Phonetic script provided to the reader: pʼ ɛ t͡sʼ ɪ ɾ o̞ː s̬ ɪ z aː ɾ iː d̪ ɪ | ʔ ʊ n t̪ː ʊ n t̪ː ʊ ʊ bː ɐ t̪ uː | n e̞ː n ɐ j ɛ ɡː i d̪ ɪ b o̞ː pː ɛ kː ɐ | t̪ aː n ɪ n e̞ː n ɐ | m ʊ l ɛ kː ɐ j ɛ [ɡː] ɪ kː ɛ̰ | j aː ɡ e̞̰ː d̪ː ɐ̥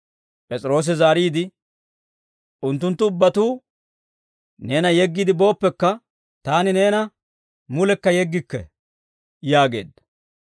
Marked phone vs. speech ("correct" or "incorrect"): correct